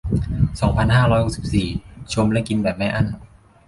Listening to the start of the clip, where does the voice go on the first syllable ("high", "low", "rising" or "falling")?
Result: rising